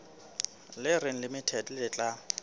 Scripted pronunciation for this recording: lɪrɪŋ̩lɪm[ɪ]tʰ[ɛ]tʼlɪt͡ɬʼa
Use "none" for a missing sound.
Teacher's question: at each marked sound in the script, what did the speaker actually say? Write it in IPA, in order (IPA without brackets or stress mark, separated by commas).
ɪ, ɛ